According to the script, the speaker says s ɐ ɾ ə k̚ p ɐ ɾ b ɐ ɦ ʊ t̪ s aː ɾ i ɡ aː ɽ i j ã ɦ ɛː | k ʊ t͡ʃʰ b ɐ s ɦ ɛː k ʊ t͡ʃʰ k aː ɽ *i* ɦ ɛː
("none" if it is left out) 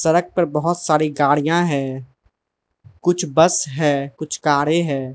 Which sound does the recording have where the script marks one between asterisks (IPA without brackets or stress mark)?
e